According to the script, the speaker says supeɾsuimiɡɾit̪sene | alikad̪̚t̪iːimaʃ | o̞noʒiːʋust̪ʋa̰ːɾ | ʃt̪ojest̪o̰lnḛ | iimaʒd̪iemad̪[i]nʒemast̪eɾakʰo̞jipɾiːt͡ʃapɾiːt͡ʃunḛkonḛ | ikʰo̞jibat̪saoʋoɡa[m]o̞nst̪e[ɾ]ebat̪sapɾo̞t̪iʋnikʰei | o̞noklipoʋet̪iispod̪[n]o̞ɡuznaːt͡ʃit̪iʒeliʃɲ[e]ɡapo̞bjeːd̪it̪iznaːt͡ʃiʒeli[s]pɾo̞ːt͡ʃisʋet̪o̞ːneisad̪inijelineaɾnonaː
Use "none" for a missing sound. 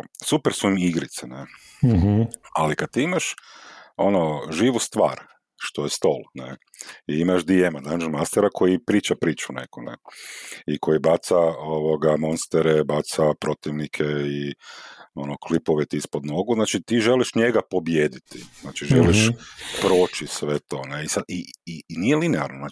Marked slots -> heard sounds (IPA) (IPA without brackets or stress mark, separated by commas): a, m, ɾ, n, e, ʃ